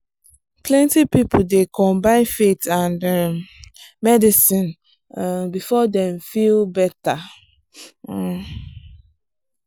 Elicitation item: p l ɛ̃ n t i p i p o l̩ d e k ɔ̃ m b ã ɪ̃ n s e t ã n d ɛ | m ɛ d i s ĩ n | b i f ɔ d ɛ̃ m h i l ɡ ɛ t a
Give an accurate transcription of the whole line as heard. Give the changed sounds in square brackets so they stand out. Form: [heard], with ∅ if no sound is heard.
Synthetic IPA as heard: p l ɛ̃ n t i p i p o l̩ d e k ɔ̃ m b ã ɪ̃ n [f] e t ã n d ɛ | m ɛ d i s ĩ n | b i f ɔ d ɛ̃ m [f] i l [b] ɛ t a